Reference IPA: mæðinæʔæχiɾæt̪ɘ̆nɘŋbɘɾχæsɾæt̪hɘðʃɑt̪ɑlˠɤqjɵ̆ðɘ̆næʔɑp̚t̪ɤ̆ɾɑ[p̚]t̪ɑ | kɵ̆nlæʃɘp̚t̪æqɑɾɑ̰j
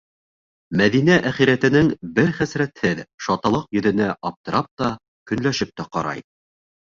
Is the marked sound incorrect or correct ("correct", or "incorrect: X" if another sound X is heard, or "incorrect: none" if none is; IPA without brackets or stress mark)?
correct